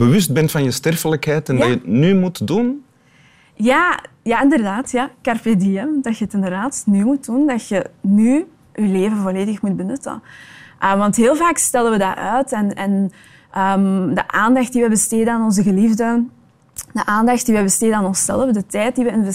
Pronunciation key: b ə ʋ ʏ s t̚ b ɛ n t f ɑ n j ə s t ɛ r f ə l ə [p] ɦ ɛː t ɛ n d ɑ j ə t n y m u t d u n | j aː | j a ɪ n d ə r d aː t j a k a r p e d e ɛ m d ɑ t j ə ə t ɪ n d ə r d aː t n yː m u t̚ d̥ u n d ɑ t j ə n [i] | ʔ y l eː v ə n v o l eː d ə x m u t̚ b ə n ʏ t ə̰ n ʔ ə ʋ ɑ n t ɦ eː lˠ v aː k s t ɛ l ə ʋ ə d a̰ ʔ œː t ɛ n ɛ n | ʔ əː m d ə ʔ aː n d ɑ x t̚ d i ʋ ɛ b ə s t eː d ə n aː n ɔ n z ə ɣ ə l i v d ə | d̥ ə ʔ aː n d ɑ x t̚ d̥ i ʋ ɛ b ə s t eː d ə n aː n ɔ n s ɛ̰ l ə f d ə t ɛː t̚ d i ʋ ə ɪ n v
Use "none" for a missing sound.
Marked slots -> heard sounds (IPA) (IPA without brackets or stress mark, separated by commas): k, y